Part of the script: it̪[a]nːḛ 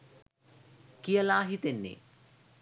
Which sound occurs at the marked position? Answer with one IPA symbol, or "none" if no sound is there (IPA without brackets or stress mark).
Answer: e